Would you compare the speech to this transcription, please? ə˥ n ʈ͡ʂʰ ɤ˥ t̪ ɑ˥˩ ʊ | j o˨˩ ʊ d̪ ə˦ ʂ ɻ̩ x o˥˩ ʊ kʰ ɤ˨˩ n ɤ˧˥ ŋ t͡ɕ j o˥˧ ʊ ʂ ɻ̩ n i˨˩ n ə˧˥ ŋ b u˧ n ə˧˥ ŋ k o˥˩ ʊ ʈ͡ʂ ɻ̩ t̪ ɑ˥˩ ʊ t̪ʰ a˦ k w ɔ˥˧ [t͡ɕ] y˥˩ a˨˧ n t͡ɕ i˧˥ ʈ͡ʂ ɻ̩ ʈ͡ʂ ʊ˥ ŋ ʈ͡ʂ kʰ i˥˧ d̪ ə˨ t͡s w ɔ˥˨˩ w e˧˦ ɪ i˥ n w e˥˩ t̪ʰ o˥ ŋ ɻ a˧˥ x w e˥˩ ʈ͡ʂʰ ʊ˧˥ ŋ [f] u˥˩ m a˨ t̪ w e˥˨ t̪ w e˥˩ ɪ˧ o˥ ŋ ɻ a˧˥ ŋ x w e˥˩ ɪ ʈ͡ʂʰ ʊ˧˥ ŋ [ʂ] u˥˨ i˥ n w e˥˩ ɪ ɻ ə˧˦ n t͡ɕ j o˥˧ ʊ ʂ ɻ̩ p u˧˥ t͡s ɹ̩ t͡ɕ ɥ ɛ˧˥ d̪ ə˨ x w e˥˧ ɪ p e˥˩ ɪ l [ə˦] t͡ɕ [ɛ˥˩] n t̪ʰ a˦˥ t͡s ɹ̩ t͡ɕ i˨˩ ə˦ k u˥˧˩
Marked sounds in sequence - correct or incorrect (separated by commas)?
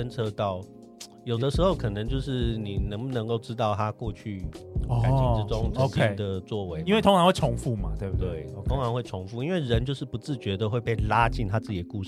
incorrect, correct, incorrect, incorrect, incorrect